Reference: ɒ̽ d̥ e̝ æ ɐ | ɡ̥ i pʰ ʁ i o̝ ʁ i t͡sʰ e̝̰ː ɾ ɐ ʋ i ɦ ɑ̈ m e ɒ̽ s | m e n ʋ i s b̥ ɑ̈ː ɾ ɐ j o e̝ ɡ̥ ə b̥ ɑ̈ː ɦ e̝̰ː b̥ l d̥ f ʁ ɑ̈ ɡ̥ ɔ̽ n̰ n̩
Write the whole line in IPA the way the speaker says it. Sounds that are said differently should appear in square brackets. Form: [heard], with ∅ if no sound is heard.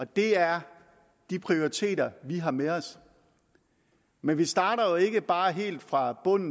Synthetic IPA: ɒ̽ d̥ e̝ æ ɐ | [d̥] i pʰ ʁ i o̝ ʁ i t͡sʰ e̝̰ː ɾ ɐ ʋ i ɦ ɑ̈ m e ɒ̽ s | m e n ʋ i s [d̥] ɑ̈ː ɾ ɐ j o e̝ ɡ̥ ə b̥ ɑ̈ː ɦ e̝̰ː [∅] l d̥ f ʁ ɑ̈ [b̥] ɔ̽ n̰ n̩